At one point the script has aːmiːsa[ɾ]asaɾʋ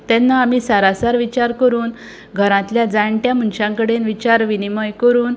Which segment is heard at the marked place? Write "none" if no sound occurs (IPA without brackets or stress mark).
ɾ